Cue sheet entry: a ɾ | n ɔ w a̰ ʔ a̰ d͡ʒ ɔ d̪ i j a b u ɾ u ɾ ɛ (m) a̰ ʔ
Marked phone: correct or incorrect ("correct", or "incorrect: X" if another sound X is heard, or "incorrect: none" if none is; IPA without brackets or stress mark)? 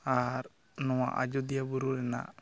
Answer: incorrect: n